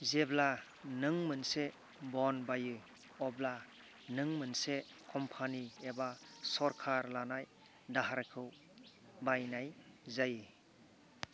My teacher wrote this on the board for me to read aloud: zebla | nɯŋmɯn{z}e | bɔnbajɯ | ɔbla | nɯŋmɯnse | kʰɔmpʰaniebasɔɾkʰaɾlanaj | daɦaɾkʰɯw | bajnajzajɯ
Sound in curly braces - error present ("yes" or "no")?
yes